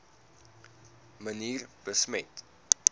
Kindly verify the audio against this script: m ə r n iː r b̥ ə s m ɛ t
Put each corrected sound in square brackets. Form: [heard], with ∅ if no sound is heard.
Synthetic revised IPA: m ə [∅] n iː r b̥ ə s m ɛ t